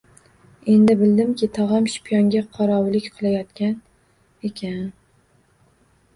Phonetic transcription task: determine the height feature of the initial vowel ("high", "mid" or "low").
mid